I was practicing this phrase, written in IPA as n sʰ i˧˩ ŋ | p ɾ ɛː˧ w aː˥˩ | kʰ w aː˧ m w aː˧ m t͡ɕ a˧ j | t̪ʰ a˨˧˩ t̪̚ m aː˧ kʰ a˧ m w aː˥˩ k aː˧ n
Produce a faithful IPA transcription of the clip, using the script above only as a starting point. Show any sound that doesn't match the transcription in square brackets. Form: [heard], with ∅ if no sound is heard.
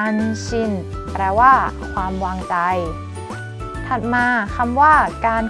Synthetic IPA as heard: n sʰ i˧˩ [n] | p ɾ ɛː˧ w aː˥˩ | kʰ w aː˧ m w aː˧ [ŋ] t͡ɕ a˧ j | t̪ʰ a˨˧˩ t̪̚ m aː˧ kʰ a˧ m w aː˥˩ k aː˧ n